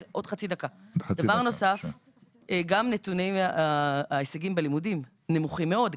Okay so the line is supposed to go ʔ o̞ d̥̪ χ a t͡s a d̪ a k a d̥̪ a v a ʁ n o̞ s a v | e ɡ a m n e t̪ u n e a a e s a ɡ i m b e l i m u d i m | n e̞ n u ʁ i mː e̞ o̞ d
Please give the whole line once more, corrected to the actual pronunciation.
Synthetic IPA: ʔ o̞ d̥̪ χ a t͡s i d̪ a k a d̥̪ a v a ʁ n o̞ s a f | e ɡ a m n e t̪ u n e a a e s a ɡ i m b e l i m u d i m | n e̞ m u χ i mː e̞ o̞ d